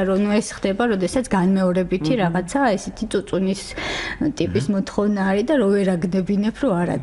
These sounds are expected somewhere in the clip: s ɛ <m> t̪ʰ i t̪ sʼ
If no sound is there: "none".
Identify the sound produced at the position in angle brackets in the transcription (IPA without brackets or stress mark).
none